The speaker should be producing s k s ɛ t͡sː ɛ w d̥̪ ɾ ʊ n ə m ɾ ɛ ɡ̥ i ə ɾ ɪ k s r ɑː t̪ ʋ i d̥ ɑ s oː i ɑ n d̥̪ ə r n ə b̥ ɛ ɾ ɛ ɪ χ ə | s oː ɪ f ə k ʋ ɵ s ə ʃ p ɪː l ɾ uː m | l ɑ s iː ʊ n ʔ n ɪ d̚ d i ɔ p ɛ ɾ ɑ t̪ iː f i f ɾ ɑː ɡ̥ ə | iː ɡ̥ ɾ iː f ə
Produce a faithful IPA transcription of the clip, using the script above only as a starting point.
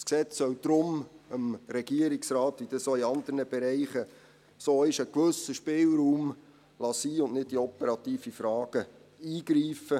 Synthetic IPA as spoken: s k s ɛ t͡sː œ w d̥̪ ɾ ʊ m ə m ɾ ɛ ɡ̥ i ə ɾ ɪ k s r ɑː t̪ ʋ i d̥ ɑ s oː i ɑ n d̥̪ ə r n ə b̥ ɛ ɾ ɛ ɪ χ ə | s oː ɪ ʃ ə k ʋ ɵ s ə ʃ p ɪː l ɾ uː m | l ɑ s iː ʊ n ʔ n ɪ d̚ d i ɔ p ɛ ɾ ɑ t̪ iː f i f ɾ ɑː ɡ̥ ə | iː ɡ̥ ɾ iː f ə